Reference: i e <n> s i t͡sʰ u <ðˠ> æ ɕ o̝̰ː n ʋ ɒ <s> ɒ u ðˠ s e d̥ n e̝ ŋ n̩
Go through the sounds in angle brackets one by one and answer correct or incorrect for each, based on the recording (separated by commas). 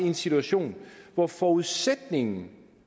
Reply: correct, incorrect, incorrect